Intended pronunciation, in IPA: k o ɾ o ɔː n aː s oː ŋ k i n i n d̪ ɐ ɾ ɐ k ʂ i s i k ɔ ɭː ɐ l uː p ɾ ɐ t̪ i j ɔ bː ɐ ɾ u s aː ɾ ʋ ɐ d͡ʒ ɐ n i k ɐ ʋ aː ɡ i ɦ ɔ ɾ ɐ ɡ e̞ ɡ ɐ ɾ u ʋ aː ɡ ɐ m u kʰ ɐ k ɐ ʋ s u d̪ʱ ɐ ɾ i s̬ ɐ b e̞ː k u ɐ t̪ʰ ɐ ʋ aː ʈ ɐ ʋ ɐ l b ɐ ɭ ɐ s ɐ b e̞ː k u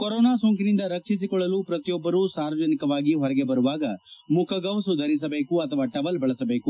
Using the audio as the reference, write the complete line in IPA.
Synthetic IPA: k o ɾ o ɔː n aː s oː ŋ k i n i n d̪ ɐ ɾ ɐ k ʂ i s i k ɔ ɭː ɐ l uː p ɾ ɐ t̪ i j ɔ bː ɐ ɾ u s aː ɾ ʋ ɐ d͡ʒ ɐ n i k ɐ ʋ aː ɡ i ɦ ɔ ɾ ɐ ɡ e̞ b ɐ ɾ u ʋ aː ɡ ɐ m u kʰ ɐ ɡ ɐ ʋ s u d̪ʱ ɐ ɾ i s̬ ɐ b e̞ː k u ɐ t̪ʰ ɐ ʋ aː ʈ ɐ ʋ ɐ l b ɐ ɭ ɐ s ɐ b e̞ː k u

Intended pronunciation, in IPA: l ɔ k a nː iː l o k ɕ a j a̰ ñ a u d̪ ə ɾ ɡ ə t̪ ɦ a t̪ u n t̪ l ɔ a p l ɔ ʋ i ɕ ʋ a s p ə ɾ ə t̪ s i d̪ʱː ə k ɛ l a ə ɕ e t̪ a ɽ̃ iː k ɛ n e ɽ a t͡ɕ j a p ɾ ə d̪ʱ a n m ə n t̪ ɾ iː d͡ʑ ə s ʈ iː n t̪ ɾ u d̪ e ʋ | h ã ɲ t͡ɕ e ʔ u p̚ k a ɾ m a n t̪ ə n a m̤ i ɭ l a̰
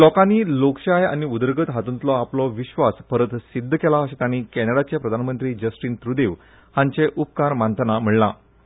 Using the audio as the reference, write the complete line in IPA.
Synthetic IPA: l ɔ k a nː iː l o k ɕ a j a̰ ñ i u d̪ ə ɾ ɡ ə t̪ ɦ a t̪ u n t̪ l ɔ a p l ɔ ʋ i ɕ ʋ a s p ə ɾ ə t̪ s i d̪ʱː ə k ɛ l a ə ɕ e t̪ a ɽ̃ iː k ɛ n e ɽ a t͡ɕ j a p ɾ ə d̪ʱ a n m ə n t̪ ɾ iː d͡ʑ ə s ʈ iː n t̪ ɾ u d̪ e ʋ | h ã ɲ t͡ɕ e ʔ u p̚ k a ɾ m a n t̪ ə n a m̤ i ɭ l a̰

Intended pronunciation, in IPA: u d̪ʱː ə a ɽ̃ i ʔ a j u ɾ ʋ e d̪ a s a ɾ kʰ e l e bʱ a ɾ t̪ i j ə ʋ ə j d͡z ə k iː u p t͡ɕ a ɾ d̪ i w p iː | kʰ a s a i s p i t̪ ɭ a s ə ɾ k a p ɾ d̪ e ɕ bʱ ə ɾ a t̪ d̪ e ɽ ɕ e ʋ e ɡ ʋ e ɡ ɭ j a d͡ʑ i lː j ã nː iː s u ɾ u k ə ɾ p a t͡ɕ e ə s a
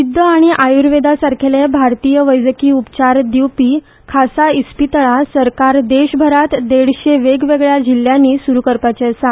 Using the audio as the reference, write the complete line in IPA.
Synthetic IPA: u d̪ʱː ə a ɽ̃ i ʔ a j u ɾ ʋ e d̪ a s a ɾ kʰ e l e bʱ a ɾ t̪ i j ə ʋ ə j d͡z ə k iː u p t͡ɕ a ɾ d̪ i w p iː | kʰ a s a i s p i t̪ ɭ a s ə ɾ k a ɾ d̪ e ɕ bʱ ə ɾ a t̪ d̪ e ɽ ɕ e ʋ e ɡ ʋ e ɡ ɭ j a d͡ʑ i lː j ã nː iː s u ɾ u k ə ɾ p a t͡ɕ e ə s a

